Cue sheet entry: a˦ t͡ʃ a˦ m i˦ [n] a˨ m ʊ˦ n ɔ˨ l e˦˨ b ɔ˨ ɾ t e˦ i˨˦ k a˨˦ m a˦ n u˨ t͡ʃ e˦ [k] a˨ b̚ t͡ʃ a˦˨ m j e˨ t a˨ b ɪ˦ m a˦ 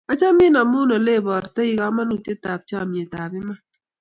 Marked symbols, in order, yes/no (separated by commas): yes, no